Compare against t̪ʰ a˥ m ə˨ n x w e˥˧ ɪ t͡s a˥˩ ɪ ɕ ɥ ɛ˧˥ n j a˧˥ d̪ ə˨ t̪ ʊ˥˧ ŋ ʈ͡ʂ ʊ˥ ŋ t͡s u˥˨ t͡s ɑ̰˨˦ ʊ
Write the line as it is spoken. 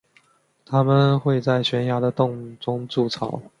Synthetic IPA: t̪ʰ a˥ m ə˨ n x w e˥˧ ɪ t͡s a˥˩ ɪ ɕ ɥ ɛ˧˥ n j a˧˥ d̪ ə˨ t̪ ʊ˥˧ ŋ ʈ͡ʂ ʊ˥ ŋ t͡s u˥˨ t͡sʰ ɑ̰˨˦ ʊ